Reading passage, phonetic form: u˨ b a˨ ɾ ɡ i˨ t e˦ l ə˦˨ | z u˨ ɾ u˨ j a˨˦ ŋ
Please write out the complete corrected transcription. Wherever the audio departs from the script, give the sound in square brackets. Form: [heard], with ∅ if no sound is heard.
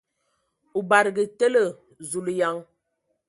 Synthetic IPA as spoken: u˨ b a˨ ɾ ɡ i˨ t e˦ l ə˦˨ | z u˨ [l] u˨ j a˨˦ ŋ

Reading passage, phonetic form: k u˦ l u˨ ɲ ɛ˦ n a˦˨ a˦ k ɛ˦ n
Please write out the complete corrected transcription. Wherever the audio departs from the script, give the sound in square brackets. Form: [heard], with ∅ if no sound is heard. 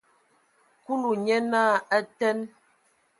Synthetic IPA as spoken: k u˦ l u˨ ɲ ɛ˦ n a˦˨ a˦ [t] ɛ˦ n

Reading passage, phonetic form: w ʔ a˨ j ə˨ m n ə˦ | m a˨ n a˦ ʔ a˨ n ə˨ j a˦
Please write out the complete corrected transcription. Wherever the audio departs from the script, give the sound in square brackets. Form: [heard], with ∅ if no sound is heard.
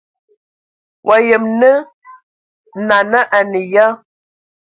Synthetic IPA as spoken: w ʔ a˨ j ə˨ m n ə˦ | [n] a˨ n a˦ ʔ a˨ n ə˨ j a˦

